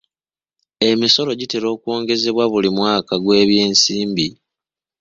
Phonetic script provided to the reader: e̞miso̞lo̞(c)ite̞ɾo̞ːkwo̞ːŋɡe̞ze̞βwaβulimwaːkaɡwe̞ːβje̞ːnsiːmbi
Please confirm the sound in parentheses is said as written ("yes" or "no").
no